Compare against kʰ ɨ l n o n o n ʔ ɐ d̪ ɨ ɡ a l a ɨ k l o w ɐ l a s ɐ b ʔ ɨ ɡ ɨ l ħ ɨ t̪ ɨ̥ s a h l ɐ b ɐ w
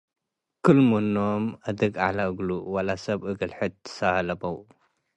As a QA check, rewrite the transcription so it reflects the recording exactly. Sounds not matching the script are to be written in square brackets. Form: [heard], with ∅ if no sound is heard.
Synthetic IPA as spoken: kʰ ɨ l [m] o n o [m] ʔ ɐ d̪ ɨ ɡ a l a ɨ [ɡ] l [u] w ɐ l a s ɐ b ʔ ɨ ɡ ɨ l ħ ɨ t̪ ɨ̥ s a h l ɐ b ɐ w